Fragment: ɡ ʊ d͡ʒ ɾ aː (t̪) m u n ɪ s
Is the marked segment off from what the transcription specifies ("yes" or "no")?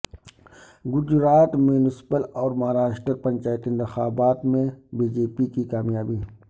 no